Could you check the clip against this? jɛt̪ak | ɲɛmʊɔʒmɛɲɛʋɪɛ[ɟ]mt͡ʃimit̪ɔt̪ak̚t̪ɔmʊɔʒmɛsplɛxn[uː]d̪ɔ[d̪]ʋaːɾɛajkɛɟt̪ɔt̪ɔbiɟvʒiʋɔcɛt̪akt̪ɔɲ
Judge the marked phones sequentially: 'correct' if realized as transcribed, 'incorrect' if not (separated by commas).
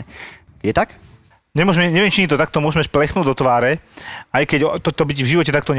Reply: incorrect, correct, incorrect